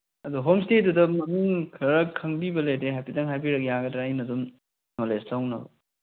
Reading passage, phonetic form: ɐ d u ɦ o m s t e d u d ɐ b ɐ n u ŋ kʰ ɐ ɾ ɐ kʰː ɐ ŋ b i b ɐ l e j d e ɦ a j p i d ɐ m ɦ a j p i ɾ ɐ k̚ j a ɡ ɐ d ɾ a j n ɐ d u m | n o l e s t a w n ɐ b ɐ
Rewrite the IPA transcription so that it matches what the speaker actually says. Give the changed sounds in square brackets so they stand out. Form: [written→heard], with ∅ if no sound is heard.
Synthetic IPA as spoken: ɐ d u ɦ o m s t e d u d ɐ [b→m] ɐ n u ŋ kʰ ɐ ɾ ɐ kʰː ɐ ŋ b i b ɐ l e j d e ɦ a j p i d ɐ [m→ŋ] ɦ a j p i ɾ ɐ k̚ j a ɡ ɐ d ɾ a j n ɐ d u m | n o l e s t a w n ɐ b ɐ